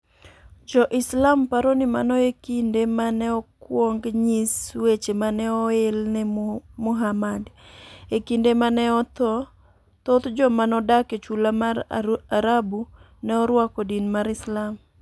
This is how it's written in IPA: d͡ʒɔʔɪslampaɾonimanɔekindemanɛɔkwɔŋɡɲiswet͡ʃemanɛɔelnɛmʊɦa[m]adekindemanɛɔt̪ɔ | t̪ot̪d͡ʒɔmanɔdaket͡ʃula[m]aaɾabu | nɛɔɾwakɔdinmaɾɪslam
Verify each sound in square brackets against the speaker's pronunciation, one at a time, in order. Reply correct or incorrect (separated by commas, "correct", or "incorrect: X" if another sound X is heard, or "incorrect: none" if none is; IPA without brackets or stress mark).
correct, correct